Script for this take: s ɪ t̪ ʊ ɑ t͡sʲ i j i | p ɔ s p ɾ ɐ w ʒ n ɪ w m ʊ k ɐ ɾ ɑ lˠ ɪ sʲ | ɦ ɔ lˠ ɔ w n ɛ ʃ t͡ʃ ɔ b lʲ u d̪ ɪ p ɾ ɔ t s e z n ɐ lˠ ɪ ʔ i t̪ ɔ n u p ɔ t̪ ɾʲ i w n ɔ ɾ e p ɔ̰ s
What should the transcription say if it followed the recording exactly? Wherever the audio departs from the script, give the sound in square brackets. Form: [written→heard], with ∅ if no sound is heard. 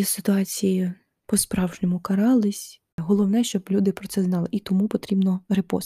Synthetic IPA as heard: s ɪ t̪ ʊ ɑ t͡sʲ i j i | p ɔ s p ɾ [ɐ→ɑ] w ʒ n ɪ [w→∅] m ʊ k ɐ ɾ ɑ lˠ ɪ sʲ | ɦ ɔ lˠ ɔ w n ɛ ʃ t͡ʃ ɔ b lʲ u d̪ ɪ p ɾ ɔ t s [e→ɛ] z n [ɐ→ɑ] lˠ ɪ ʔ i t̪ ɔ [n→m] u p ɔ t̪ ɾʲ i [w→b] n ɔ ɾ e p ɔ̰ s